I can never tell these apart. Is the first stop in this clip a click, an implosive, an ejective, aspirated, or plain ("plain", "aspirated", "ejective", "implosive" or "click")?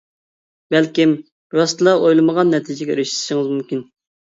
plain